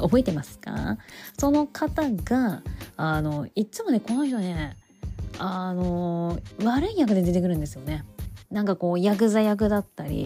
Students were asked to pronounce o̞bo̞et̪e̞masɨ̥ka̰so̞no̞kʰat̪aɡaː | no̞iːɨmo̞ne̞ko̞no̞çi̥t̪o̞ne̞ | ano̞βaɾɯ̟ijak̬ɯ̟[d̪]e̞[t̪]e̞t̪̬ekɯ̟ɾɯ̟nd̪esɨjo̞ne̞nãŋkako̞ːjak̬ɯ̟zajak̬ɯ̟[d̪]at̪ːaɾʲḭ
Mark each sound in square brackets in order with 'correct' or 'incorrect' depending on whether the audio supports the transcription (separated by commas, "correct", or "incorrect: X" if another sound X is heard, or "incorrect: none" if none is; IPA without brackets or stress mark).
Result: correct, incorrect: d̪, correct